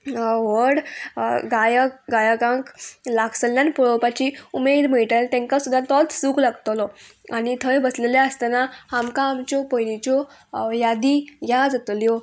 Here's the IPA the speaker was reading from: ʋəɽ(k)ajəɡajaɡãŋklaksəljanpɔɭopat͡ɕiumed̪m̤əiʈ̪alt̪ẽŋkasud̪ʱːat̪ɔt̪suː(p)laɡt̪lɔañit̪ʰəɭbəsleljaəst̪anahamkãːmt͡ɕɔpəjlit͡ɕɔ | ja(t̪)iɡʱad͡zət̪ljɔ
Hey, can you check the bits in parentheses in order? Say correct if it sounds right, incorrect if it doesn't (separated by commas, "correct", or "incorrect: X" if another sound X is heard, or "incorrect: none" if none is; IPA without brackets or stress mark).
incorrect: ɡ, incorrect: k, incorrect: d̪